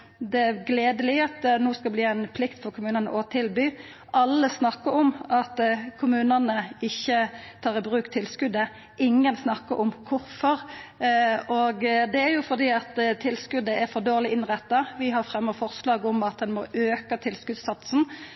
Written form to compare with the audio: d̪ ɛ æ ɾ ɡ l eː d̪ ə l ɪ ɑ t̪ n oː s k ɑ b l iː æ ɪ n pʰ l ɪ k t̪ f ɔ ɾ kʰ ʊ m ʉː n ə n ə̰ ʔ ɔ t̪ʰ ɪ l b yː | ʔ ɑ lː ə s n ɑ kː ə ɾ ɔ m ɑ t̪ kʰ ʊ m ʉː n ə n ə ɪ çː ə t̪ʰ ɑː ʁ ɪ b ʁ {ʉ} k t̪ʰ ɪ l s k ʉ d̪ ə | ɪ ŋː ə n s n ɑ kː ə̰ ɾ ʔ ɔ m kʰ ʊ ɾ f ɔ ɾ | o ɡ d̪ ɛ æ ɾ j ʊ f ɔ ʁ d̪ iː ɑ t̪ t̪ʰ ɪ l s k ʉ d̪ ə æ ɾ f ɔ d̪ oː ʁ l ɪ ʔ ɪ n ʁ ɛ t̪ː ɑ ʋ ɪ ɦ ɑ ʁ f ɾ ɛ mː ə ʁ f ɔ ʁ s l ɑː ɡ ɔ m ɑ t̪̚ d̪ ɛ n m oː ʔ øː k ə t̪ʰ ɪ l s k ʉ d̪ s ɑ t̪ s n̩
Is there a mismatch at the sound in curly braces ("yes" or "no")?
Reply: yes